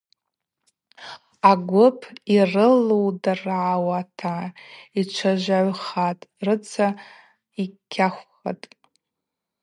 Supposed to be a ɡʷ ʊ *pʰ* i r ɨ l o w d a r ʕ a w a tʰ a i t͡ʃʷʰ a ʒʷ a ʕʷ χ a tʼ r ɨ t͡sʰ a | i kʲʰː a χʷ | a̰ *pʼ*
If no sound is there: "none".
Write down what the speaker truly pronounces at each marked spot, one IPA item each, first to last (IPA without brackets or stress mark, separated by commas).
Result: pʰ, tʼ